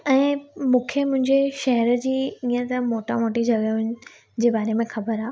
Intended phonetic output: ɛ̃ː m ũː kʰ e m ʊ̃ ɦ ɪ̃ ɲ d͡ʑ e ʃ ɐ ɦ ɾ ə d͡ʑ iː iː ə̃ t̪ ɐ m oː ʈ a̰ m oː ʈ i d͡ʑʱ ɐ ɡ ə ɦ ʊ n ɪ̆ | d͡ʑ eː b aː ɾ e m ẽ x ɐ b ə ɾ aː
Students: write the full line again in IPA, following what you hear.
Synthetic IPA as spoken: ɛ̃ː m ũː kʰ e m ʊ̃ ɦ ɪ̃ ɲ d͡ʑ e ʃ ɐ ɦ ɾ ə d͡ʑ iː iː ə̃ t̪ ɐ m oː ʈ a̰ m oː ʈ i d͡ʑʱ ɐ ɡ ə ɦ ʊ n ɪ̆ | d͡ʑ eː b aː ɾ e m ẽ x ɐ b ə ɾ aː